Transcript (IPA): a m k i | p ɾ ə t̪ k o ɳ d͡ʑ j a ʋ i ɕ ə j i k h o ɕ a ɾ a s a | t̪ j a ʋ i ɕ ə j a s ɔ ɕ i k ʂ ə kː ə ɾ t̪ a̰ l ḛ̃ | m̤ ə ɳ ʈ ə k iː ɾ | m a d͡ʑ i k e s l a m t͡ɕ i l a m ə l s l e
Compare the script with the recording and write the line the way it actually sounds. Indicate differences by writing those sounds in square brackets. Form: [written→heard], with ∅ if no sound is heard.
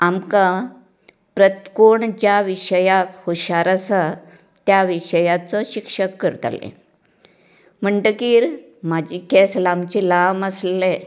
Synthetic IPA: a m k [i→a] | p ɾ ə t̪ k o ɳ d͡ʑ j a ʋ i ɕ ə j [i→a] k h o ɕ a ɾ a s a | t̪ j a ʋ i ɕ ə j a [s→t͡s] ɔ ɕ i k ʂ ə kː ə ɾ t̪ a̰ l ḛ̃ | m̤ ə ɳ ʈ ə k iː ɾ | m a d͡ʑ i k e s l a m t͡ɕ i l a m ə [l→∅] s l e